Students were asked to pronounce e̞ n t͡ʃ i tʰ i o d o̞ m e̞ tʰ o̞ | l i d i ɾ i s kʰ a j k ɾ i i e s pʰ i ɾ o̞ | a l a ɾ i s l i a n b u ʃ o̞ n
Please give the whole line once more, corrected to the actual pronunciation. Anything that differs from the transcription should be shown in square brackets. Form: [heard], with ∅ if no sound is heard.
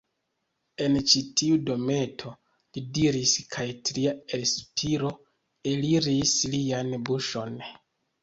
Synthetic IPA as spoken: e̞ n t͡ʃ i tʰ i [u] d o̞ m e̞ tʰ o̞ | l i d i ɾ i s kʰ a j [t] ɾ i [a] e s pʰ i ɾ o̞ | [e] l [i] ɾ i s l i a n b u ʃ o̞ n